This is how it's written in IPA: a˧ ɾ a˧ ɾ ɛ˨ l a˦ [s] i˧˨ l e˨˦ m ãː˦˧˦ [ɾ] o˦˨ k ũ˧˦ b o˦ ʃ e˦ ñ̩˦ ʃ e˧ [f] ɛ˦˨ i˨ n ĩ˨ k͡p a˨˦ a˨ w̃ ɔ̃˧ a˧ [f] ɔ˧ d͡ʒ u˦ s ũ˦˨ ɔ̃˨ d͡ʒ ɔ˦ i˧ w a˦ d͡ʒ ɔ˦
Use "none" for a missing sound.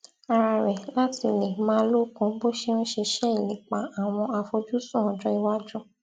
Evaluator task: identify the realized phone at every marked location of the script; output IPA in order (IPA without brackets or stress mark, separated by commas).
t, l, ʃ, f